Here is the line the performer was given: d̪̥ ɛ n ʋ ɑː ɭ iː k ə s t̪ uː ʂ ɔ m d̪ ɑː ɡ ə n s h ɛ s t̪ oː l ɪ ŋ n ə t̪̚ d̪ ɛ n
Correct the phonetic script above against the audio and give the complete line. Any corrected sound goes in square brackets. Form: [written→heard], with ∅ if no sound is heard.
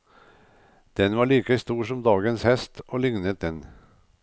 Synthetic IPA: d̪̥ ɛ n ʋ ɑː ɭ iː k ə s t̪ uː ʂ ɔ m d̪ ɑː ɡ ə n s h ɛ s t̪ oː l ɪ ŋ n ə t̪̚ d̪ ɛ n